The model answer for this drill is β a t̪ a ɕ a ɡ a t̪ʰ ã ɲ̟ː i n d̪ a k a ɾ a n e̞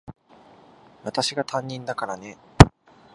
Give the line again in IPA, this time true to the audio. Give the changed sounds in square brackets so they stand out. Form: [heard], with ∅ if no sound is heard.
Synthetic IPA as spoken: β a t̪ a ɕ [i] ɡ a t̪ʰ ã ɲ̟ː [ĩ] n d̪ a k a ɾ a n e̞

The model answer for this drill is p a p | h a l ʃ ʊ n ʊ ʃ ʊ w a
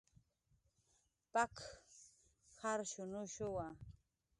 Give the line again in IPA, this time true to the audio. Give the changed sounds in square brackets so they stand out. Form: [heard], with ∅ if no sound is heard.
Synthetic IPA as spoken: p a [k] | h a [ɾ] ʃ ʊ n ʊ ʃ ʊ w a

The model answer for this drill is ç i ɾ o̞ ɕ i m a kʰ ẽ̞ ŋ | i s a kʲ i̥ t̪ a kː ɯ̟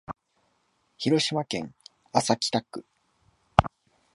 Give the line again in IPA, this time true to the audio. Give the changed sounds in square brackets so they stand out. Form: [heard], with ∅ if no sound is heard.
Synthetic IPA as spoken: ç i ɾ o̞ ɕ i m a [k] ẽ̞ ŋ | [a] s a kʲ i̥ t̪ a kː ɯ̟

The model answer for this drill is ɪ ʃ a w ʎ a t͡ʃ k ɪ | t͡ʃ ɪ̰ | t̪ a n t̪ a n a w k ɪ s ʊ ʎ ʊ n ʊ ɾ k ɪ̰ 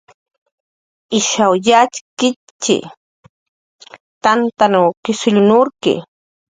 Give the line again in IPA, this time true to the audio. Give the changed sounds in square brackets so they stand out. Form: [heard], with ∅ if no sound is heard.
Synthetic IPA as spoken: ɪ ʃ a w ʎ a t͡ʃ k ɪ | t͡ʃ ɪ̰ | t̪ a n t̪ a n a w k ɪ s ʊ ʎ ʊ n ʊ ɾ k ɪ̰

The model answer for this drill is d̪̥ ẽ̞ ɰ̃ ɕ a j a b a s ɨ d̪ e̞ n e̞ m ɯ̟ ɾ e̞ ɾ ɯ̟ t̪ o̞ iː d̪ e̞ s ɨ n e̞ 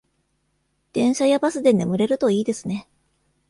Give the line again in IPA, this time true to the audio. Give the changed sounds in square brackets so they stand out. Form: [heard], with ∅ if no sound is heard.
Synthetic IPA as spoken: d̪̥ ẽ̞ ɰ̃ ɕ a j a b a s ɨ d̪ e̞ n e̞ m ɯ̟ ɾ e̞ ɾ ɯ̟ t̪ o̞ iː d̪ e̞ s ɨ n e̞

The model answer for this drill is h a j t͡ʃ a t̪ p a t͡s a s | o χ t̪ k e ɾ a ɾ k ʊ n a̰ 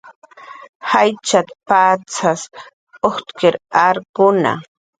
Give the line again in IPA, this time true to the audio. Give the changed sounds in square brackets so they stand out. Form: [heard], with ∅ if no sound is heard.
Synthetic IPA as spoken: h a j t͡ʃ a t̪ p a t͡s a s | o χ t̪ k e ɾ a ɾ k ʊ n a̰

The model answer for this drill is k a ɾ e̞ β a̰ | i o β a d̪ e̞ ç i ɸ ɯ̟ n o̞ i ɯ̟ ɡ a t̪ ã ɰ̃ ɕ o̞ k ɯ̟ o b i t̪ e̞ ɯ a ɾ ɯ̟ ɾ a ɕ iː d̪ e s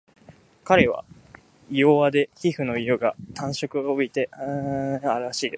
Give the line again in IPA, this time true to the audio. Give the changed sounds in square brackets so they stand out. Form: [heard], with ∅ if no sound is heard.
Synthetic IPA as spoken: k a ɾ e̞ β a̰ | i o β a d̪ e̞ ç i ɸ ɯ̟ n o̞ i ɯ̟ ɡ a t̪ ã ɰ̃ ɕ o̞ k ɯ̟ o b i t̪ e̞ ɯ a ɾ ɯ̟ ɾ a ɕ iː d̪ e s

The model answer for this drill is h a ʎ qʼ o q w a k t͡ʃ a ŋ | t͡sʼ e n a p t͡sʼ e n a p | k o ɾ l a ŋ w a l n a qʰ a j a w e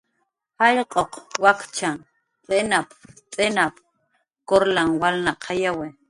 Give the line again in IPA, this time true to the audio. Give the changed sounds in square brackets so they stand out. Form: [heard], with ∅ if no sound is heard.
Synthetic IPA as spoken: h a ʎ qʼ o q w a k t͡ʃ a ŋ | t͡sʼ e n a p t͡sʼ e n a p | k o ɾ l a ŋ w a l n a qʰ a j a w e

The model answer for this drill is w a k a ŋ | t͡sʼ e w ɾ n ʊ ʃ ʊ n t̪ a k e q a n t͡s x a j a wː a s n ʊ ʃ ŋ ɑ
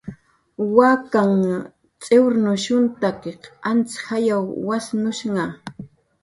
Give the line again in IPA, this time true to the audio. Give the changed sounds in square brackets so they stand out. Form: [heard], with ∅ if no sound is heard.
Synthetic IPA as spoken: w a k a ŋ | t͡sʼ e w ɾ n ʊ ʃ ʊ n t̪ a k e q a n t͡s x a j a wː a s n ʊ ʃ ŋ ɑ

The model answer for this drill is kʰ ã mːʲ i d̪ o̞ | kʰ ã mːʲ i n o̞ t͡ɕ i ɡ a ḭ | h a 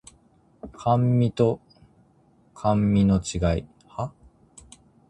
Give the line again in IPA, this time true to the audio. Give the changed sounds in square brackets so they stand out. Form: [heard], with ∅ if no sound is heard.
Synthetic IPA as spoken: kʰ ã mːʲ i [t̪] o̞ | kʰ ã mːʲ i n o̞ t͡ɕ i ɡ a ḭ | h a

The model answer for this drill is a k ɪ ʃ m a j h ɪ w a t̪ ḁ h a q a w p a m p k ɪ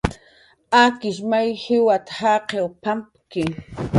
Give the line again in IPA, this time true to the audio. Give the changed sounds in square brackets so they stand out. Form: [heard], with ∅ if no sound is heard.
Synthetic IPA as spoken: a k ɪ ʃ m a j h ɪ w a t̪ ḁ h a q [e] w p a m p k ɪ

